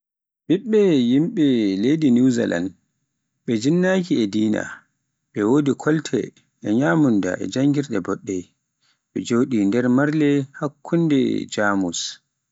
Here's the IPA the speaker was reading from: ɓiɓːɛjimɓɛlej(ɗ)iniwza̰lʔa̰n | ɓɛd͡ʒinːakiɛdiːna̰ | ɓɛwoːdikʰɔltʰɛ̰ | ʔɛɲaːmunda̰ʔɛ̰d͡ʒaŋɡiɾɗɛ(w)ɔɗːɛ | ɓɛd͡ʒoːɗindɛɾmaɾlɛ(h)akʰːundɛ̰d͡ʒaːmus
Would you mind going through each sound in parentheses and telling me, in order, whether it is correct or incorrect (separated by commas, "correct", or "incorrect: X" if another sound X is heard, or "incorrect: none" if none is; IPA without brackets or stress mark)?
incorrect: d, incorrect: b, correct